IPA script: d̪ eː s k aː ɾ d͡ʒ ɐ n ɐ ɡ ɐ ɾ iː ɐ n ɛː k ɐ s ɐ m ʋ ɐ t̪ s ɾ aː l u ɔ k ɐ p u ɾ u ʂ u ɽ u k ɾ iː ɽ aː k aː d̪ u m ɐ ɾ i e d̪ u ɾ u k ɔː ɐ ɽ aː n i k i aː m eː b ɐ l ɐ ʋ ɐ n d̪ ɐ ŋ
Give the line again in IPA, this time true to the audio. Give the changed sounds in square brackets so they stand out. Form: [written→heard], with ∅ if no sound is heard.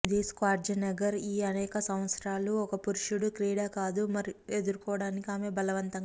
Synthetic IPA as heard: d̪ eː s k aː ɾ d͡ʒ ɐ n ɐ ɡ ɐ ɾ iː ɐ n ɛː k ɐ s ɐ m ʋ ɐ t̪ s ɾ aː l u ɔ k ɐ p u ɾ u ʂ u ɽ u k ɾ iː ɽ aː k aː d̪ u m ɐ ɾ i e d̪ u ɾ u k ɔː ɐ ɽ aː n i k i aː m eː b ɐ l ɐ ʋ ɐ n [d̪→t̪] ɐ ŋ